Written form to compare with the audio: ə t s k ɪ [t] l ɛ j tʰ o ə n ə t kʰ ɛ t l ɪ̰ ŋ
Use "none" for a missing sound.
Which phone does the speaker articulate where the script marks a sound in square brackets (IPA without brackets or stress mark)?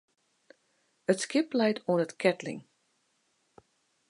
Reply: p